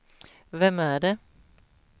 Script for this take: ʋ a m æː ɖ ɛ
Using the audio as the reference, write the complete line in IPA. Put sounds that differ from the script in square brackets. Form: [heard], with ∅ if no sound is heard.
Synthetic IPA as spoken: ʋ [ɛ] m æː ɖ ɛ